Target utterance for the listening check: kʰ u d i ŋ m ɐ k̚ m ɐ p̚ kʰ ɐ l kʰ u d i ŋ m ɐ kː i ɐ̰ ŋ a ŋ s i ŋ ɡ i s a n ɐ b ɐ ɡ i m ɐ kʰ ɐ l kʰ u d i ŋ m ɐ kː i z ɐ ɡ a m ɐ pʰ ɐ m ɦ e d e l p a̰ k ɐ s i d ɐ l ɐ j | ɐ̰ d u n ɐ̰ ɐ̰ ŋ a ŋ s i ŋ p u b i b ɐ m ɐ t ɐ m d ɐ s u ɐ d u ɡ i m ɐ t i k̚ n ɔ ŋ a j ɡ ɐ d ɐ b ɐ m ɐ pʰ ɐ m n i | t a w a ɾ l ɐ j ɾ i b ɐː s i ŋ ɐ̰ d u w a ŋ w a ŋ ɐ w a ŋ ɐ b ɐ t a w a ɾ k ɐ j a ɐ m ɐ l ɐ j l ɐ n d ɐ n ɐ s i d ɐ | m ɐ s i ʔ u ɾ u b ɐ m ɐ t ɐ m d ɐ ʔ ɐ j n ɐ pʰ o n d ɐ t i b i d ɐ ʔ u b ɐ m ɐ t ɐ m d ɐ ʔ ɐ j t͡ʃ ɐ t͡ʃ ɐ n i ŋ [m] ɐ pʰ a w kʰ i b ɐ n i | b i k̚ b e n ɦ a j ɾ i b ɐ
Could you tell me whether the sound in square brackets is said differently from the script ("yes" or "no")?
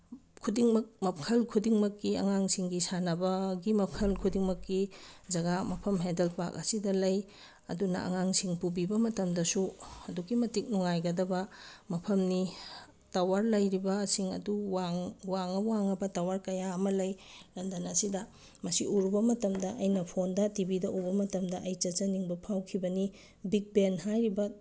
yes